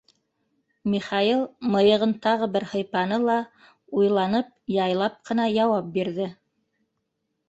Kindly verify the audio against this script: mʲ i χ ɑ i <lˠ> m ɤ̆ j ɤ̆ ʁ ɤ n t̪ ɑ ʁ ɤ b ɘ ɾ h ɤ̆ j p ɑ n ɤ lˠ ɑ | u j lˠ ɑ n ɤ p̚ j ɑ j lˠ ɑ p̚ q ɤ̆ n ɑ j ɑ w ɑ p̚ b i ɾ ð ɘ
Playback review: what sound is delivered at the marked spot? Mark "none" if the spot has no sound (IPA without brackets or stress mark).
lˠ